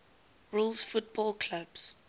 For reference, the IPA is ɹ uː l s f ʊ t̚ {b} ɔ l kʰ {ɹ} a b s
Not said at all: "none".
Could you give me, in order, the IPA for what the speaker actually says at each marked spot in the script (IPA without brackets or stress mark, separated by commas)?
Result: b, l